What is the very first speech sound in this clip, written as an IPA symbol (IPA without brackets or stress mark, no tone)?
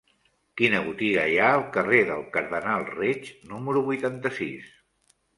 k